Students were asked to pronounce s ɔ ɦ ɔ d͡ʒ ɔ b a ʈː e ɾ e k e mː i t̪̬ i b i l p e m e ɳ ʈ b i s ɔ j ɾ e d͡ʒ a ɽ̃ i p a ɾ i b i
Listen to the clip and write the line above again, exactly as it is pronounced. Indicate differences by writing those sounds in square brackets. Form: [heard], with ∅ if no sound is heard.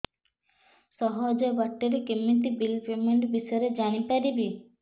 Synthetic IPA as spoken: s ɔ ɦ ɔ d͡ʒ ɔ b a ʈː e ɾ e k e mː i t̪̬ i b i l p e m e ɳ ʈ b i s ɔ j ɾ e d͡ʒ a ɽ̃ i p a ɾ i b i